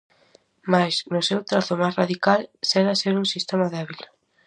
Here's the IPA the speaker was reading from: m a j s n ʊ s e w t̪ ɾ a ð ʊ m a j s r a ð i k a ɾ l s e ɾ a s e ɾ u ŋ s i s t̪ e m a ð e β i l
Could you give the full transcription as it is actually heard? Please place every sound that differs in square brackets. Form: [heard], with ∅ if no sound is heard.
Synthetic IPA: m a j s n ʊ s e w t̪ ɾ a [θ] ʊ m a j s r a ð i k a [∅] l s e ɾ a s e ɾ u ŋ s i s t̪ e m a ð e β i l